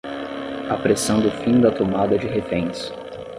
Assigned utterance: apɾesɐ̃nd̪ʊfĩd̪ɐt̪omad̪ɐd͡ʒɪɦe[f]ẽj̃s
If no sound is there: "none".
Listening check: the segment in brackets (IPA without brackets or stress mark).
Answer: f